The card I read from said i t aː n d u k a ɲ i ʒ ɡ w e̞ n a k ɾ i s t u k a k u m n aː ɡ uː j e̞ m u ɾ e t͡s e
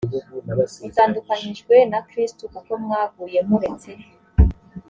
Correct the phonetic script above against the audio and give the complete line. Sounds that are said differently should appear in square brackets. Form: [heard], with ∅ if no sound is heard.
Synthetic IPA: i t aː n d u k a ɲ i ʒ ɡ w e̞ n a k ɾ i s t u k a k [o] m [ŋ] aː ɡ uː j e̞ m u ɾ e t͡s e